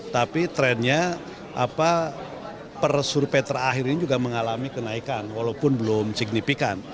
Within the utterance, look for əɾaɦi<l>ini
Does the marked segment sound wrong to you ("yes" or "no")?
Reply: yes